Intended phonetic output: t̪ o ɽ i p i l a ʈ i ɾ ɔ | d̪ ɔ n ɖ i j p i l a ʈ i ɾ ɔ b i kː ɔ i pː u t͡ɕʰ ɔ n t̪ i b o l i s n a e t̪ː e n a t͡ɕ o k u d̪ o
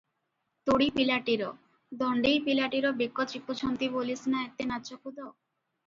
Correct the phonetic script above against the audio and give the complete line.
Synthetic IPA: t̪ o ɽ i p i l a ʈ i ɾ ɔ | d̪ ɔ ɳ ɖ i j p i l a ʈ i ɾ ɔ b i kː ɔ i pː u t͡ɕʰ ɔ n t̪ i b o l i s n a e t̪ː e n a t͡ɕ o k u d̪ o

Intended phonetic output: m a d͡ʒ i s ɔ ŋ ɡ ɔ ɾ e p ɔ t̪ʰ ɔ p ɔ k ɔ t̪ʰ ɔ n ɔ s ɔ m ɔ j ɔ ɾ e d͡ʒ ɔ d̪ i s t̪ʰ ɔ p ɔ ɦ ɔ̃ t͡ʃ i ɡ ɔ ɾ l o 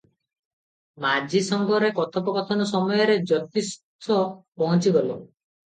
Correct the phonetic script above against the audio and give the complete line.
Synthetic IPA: m a d͡ʒ i s ɔ ŋ ɡ ɔ ɾ e k ɔ t̪ʰ ɔ p ɔ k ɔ t̪ʰ ɔ n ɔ s ɔ m ɔ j ɔ ɾ e d͡ʒ ɔ t̪ i s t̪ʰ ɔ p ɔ ɦ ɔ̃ t͡ʃ i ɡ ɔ l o

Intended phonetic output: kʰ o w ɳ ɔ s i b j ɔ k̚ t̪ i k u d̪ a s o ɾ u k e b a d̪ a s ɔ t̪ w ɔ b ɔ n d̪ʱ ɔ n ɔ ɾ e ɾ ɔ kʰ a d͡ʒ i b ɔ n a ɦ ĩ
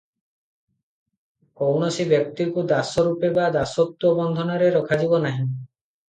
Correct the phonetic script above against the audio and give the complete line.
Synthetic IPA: k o w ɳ ɔ s i b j ɔ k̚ t̪ i k u d̪ a s ɔ ɾ u p e b a d̪ a s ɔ t̪ w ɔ b ɔ n d̪ʱ ɔ n ɔ ɾ e ɾ ɔ kʰ a d͡ʒ i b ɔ n a ɦ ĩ

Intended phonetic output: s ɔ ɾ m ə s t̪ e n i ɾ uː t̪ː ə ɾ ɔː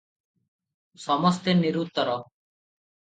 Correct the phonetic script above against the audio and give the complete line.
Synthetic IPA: s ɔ m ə s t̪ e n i ɾ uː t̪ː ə ɾ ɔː

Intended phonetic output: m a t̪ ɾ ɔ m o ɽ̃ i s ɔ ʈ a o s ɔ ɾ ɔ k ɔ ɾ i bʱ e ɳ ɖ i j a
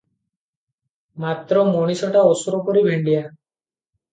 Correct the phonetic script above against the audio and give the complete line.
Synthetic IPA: m a t̪ ɾ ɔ m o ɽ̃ i s ɔ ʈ a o s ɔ ɾ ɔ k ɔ ɾ i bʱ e ɳ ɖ i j a

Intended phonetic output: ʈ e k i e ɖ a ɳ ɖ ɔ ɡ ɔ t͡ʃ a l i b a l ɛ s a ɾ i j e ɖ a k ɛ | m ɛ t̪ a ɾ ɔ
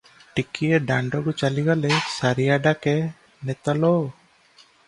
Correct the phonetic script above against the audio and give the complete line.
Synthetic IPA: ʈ i k i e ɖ a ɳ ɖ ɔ ɡ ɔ t͡ʃ a l i ɡ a l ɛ s a ɾ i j a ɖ a k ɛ | n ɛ t̪ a l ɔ

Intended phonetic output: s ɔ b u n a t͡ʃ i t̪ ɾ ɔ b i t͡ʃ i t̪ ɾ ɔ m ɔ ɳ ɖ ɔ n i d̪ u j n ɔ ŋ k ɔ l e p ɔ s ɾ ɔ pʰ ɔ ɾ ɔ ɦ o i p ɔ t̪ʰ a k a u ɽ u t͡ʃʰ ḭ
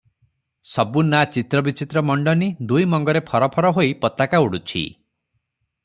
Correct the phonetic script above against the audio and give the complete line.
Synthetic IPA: s ɔ b u n a t͡ʃ i t̪ ɾ ɔ b i t͡ʃ i t̪ ɾ ɔ m ɔ ɳ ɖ ɔ n i d̪ u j m ɔ ŋ ɡ ɔ ɾ e pʰ ɔ ɾ ɔ pʰ ɔ ɾ ɔ ɦ o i p ɔ t̪ a k a u ɽ u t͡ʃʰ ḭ

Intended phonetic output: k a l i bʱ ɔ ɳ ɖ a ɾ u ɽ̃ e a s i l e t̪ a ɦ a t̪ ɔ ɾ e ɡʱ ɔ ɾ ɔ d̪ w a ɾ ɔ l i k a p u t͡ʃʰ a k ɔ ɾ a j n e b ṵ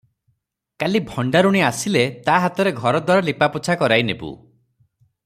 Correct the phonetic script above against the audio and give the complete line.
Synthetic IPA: k a l i bʱ ɔ ɳ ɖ a ɾ u ɽ̃ i a s i l e t̪ a ɦ a t̪ ɔ ɾ e ɡʱ ɔ ɾ ɔ d̪ w a ɾ ɔ l i p a p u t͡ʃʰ a k ɔ ɾ a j n e b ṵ

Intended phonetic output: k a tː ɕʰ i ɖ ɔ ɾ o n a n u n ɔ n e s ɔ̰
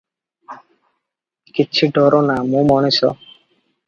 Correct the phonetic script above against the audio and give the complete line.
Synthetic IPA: k i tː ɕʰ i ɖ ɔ ɾ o n a m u m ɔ n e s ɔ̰

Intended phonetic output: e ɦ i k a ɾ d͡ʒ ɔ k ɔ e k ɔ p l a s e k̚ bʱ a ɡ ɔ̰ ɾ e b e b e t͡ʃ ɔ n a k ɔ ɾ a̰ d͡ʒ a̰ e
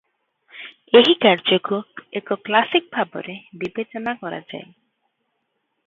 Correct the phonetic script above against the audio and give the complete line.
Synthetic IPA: e ɦ i k a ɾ d͡ʒ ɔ k u e k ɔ k l a s i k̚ bʱ a b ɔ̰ ɾ e b i b e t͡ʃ ɔ n a k ɔ ɾ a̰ d͡ʒ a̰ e

